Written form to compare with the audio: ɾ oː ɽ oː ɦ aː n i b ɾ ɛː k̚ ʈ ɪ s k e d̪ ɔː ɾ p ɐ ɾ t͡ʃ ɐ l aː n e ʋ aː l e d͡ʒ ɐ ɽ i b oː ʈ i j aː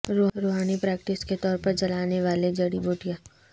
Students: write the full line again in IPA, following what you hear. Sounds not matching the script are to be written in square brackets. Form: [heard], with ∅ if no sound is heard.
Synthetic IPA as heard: ɾ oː [ɾ] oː ɦ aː n i [p] ɾ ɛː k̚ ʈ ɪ s k e [t̪] ɔː ɾ p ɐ ɾ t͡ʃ ɐ l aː n e ʋ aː l e d͡ʒ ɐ ɽ i b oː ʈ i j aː